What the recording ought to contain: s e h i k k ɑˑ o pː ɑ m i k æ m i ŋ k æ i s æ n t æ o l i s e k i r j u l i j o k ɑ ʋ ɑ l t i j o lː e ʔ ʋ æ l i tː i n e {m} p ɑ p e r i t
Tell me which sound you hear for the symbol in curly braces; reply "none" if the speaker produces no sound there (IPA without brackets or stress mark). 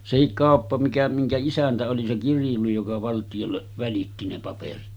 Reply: none